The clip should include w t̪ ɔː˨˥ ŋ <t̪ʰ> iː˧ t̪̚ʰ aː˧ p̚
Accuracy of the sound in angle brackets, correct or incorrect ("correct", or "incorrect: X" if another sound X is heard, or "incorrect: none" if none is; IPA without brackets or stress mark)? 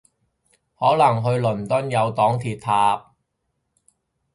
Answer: correct